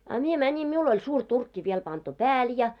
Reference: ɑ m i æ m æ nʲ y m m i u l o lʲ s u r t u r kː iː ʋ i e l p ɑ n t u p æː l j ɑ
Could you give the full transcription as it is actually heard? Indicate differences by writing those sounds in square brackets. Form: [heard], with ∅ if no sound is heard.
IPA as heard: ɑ m i [e] m æ nʲ [i] m m i u l o lʲ s [uː] r t u r kː [i] ʋ i e l p ɑ n t u p æː l j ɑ

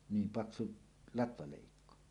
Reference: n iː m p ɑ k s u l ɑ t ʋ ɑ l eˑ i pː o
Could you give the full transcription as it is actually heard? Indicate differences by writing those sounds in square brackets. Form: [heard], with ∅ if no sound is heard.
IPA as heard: n iː m p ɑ k s u l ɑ t ʋ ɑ l eˑ i [kː] o

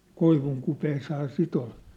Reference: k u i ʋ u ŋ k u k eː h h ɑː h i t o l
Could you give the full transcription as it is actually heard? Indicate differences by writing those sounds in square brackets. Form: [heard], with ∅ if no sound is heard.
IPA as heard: k [o] i ʋ u ŋ k u [p] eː [s] h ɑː [s] i t o l

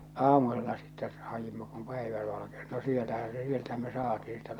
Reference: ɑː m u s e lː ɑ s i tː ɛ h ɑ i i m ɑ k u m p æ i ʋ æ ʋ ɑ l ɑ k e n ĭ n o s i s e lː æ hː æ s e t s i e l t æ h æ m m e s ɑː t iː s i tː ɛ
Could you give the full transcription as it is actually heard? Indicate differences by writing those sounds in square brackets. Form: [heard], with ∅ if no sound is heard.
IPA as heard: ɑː m u s e lː ɑ s i tː ɛ h ɑ [j] i m ɑ k u m p æ i ʋ æ ʋ ɑ l ɑ k e n ĭ n o s i [∅] e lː æ [h] æ s e [∅] s i e l t æ h æ m m e s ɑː t iː s i tː ɛ

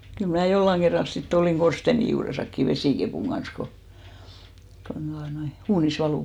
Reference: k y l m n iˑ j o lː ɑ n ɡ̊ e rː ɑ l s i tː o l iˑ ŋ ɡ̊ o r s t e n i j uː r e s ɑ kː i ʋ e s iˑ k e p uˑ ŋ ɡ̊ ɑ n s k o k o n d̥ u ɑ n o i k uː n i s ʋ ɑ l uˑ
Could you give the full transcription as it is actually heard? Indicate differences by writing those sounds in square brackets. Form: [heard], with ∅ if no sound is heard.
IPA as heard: k y l m n [æˑ] j o lː ɑ [ŋ] ɡ̊ e rː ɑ l s i tː o l iˑ ŋ ɡ̊ o r s t e n i j uː r e s ɑ kː i ʋ e s iˑ k e p uˑ ŋ ɡ̊ ɑ n s k o k o n d̥ u ɑ n o i [∅] uː n i s ʋ ɑ l uˑ

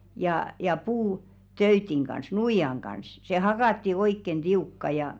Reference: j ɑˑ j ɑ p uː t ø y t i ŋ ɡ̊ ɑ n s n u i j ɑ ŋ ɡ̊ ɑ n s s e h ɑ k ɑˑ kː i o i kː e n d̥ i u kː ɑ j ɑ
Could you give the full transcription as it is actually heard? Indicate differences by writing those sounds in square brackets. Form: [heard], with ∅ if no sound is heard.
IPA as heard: j ɑˑ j ɑ p uː t ø y t i ŋ ɡ̊ ɑ n s n u i j ɑ ŋ ɡ̊ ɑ n s s e h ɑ k ɑˑ [tː] i o i kː e n d̥ i u kː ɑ j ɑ

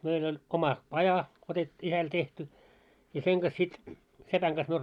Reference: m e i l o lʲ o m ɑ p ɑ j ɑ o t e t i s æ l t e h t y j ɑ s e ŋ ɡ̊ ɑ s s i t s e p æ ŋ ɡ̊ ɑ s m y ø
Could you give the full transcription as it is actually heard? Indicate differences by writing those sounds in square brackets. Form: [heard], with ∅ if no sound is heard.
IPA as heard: m e i l o lʲ o m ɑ p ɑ j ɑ o t e t i s æ l t e h t y j ɑ s e ŋ ɡ̊ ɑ s s i t s e p æ ŋ ɡ̊ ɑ s m y ø

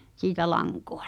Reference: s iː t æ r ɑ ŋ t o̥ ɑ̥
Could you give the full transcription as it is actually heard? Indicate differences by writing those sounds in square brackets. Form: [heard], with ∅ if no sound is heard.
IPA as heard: s iː t æ [l] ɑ ŋ [k] o̥ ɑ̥

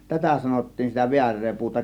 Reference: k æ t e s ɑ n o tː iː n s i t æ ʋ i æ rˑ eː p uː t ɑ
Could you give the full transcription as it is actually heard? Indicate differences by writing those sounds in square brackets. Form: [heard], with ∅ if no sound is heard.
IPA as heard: [t] æ t [æ] s ɑ n o tː iː n s i t æ ʋ i æ rˑ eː p uː t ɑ

